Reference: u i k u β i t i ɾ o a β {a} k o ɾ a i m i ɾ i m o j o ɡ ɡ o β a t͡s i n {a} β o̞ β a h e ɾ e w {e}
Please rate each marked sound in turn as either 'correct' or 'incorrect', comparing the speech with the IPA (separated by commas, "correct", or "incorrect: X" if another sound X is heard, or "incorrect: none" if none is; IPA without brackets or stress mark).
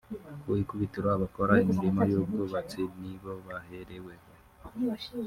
correct, incorrect: i, correct